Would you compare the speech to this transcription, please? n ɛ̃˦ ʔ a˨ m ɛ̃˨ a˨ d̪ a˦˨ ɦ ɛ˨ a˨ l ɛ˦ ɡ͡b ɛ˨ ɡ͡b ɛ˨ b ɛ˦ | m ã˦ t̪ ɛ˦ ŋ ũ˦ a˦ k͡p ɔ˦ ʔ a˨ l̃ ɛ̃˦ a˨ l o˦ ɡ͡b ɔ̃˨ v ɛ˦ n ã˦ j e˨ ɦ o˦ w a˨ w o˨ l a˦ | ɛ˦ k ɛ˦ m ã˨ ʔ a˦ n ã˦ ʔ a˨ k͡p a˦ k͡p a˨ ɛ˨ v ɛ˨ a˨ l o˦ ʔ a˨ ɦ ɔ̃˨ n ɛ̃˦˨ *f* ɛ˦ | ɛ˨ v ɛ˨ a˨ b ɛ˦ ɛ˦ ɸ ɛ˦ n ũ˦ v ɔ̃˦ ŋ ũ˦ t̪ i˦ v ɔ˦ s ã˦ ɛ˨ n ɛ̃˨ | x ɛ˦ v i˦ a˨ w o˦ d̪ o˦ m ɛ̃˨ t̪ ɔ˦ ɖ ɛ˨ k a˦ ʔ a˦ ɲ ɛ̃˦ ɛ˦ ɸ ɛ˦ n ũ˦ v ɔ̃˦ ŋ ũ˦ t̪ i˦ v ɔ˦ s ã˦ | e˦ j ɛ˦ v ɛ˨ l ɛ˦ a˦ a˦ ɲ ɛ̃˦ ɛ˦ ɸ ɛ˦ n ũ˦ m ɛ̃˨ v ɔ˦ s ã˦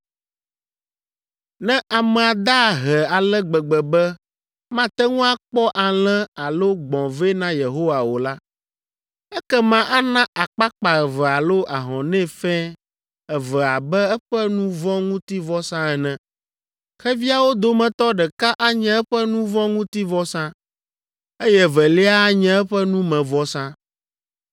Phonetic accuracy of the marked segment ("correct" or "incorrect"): correct